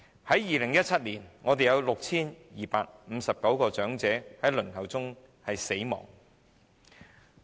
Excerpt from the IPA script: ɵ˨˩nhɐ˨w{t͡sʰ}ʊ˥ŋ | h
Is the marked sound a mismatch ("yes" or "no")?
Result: yes